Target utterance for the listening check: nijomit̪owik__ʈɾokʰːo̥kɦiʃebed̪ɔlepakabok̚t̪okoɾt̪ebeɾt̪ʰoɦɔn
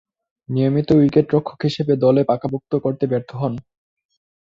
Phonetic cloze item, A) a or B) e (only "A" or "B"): B